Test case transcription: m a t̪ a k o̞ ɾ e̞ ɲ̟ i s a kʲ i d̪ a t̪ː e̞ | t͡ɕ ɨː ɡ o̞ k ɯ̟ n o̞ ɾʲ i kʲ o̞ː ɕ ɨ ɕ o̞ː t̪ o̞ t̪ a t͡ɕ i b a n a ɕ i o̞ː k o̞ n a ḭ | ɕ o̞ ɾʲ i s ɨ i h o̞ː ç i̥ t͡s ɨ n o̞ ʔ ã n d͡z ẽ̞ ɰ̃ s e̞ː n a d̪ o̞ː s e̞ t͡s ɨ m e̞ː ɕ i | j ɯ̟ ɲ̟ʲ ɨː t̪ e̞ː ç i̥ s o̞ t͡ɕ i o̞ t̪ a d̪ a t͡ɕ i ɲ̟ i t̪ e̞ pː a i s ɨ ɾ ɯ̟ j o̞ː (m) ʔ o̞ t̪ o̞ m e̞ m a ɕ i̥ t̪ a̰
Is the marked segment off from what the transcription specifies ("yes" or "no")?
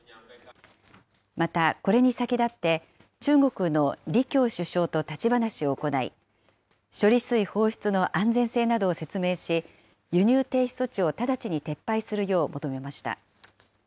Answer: no